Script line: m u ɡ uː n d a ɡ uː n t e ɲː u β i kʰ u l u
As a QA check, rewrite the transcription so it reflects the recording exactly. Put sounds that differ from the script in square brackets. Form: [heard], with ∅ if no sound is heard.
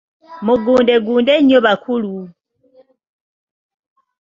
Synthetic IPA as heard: m u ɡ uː n d [e] ɡ uː n [d] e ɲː [o] β [a] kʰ u l u